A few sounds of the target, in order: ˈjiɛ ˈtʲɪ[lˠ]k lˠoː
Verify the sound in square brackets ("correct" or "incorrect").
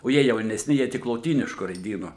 incorrect